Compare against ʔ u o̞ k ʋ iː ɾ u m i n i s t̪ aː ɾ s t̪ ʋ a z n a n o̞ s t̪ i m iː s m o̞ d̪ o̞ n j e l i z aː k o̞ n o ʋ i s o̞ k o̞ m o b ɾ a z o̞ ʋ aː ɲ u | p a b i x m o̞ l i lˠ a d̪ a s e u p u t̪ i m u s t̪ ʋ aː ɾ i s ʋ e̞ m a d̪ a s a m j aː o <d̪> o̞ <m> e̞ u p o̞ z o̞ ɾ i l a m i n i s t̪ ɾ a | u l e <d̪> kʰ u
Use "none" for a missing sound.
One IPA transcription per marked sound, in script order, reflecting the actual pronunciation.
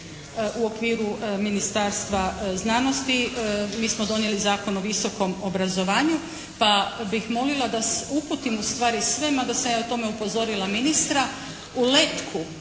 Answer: t̪, m, t̪

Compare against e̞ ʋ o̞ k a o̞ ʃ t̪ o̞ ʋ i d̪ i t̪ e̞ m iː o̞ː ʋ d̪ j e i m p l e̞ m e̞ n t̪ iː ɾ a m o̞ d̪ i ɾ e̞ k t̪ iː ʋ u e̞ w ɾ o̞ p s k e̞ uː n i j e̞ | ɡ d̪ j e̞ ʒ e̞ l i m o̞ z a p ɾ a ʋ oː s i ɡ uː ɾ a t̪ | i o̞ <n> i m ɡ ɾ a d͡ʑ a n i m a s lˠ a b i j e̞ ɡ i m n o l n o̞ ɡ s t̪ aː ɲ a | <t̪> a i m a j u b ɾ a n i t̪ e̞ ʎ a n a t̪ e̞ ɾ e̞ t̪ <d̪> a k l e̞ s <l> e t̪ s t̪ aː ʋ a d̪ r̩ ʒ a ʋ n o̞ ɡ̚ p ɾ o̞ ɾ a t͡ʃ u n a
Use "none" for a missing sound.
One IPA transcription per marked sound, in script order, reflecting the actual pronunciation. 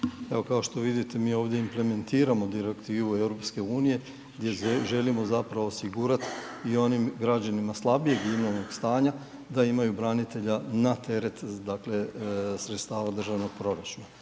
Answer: n, d̪, d̪, ɾ

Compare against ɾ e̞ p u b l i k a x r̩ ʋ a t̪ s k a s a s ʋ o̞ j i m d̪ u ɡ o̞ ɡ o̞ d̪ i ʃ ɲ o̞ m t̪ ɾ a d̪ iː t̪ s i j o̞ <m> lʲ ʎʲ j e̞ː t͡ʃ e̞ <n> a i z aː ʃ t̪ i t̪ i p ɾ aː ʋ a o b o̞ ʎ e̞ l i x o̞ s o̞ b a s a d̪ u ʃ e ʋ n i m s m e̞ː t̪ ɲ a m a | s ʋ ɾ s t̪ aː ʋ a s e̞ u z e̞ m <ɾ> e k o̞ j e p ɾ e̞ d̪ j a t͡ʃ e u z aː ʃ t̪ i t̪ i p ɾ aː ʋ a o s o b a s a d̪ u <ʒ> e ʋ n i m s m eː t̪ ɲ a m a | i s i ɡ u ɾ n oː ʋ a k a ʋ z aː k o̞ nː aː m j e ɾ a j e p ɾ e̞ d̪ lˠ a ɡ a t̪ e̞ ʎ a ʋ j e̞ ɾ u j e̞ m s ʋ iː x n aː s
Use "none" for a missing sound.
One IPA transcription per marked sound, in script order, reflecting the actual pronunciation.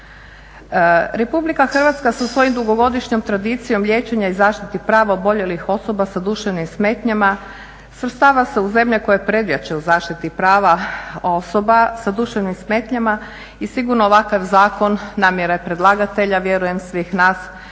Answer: m, ɲ, ʎ, ʃ

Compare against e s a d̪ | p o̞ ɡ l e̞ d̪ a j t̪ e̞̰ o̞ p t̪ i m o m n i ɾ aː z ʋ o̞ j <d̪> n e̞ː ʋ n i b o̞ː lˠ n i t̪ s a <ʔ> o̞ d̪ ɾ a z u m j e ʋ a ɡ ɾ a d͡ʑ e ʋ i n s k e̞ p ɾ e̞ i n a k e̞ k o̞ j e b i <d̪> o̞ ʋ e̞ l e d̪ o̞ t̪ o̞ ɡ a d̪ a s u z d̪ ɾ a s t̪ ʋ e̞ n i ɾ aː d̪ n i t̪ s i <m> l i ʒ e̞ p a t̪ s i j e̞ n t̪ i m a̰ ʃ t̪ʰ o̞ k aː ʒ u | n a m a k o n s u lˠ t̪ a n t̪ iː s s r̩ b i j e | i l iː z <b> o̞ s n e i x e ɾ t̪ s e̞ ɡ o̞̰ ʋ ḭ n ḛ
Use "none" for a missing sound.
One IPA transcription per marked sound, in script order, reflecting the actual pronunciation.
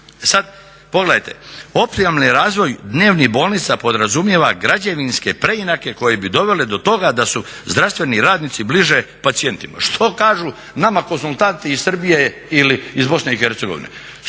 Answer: d̪, p, d̪, b, b

